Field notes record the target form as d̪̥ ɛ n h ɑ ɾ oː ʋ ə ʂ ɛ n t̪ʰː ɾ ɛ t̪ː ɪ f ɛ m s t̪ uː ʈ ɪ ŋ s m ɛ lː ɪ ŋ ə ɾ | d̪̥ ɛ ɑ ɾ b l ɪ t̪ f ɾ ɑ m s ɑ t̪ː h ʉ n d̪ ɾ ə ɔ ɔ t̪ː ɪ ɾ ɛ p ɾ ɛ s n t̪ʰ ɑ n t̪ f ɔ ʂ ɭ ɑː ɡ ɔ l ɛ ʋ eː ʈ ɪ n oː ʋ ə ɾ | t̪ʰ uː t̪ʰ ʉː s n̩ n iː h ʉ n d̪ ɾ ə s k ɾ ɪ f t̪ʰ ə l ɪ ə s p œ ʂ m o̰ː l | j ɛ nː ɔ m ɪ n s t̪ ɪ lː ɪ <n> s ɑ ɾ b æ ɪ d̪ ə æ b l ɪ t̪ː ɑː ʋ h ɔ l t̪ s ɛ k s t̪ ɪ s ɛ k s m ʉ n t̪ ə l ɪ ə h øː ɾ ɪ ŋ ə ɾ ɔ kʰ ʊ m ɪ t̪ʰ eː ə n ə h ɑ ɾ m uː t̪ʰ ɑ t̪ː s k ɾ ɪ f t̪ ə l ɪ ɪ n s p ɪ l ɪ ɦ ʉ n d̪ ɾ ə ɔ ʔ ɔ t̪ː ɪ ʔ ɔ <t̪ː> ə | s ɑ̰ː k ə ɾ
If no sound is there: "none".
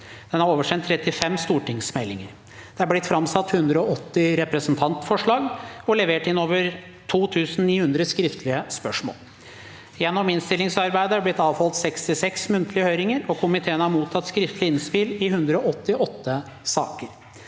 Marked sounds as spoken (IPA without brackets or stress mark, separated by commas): ŋ, t̪ː